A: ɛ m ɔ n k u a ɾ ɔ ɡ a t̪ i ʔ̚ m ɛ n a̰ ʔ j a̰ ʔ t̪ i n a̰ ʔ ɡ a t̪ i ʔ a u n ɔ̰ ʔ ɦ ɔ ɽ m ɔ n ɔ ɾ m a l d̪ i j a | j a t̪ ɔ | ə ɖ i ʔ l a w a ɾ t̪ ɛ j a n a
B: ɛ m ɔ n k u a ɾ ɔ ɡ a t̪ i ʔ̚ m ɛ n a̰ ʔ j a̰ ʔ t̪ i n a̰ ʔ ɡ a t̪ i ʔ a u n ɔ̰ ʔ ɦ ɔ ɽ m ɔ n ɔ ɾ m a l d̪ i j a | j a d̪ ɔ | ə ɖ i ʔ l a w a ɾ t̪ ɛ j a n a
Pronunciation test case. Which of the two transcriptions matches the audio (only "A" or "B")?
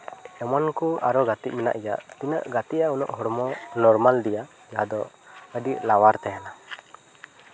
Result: B